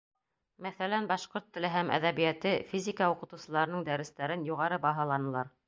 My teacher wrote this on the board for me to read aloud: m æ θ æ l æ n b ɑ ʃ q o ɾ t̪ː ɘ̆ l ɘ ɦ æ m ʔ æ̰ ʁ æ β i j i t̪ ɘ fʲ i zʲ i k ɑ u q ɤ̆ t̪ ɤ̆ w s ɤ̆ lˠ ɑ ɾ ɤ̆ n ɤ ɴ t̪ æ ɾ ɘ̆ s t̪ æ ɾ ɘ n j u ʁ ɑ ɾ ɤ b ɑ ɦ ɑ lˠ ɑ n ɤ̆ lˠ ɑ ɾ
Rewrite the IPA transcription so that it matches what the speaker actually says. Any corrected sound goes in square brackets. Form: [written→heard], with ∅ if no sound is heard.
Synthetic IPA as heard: m æ θ æ l æ n b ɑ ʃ q o ɾ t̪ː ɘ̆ l ɘ ɦ æ m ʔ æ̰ [ʁ→ð] æ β i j [i→æ] t̪ ɘ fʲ i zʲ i k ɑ u q ɤ̆ t̪ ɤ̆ w s ɤ̆ lˠ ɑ ɾ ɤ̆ n ɤ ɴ [t̪→d̪] æ ɾ ɘ̆ s t̪ æ ɾ ɘ n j u ʁ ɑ ɾ ɤ b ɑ ɦ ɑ lˠ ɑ n ɤ̆ lˠ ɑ ɾ

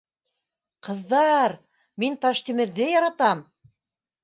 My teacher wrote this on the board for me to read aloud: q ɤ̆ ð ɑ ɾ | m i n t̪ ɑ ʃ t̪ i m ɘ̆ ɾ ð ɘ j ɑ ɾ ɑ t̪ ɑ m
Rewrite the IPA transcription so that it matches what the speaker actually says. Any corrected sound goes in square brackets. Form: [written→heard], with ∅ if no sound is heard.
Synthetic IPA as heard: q ɤ̆ [ð→ðː] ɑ ɾ | m i n t̪ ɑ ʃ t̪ i m ɘ̆ ɾ ð ɘ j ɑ ɾ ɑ t̪ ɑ m

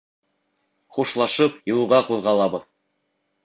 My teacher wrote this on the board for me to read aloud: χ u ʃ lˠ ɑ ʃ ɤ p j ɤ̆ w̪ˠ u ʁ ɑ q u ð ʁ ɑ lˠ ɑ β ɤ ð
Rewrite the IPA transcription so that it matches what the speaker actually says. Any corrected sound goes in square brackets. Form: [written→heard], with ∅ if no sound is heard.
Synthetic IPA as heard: χ u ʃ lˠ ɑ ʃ ɤ p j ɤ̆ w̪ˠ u ʁ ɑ q u ð ʁ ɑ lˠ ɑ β ɤ ð

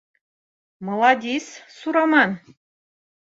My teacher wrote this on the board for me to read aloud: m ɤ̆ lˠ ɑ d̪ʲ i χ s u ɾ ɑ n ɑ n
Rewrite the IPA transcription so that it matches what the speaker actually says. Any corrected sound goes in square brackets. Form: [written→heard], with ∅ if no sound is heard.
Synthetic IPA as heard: m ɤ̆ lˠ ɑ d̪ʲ i [χ→s] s u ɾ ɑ [n→m] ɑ n

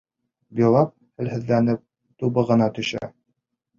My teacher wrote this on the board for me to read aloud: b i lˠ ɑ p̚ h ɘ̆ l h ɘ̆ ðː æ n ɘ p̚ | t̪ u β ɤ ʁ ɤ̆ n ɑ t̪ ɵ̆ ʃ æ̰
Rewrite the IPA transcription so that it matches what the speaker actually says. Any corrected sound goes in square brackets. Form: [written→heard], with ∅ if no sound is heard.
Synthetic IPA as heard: b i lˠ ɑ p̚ h ɘ̆ l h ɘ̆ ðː æ n ɘ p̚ | t̪ u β ɤ ʁ ɤ̆ n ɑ t̪ ɵ̆ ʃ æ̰

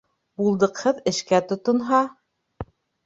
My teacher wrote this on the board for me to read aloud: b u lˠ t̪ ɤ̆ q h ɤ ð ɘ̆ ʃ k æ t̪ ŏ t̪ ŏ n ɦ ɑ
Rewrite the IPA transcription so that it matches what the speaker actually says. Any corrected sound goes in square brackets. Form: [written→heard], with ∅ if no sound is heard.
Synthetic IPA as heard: b u lˠ [t̪→d̪] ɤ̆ q h ɤ ð ɘ̆ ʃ k æ t̪ ŏ t̪ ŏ n ɦ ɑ

